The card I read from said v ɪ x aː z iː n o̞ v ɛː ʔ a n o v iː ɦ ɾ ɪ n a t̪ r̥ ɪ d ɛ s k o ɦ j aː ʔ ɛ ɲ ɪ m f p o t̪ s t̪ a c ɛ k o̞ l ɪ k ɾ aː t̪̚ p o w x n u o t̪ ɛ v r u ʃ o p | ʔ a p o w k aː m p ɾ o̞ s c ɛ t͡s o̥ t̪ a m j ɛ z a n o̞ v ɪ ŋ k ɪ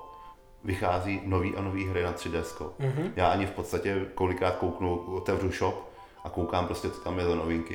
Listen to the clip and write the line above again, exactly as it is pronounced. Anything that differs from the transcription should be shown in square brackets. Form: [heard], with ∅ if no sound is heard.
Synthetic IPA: v ɪ x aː z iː n o̞ v [iː] ʔ a n o v iː ɦ ɾ ɪ n a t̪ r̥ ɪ d ɛ s k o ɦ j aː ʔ [a] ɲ ɪ [∅] f p o t̪ s t̪ a c ɛ k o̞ l ɪ k ɾ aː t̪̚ [k] o w [k] n u o t̪ ɛ v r u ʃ o p | ʔ a [k] o w k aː m p ɾ o̞ s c ɛ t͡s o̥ t̪ a m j ɛ z a n o̞ v ɪ ŋ k ɪ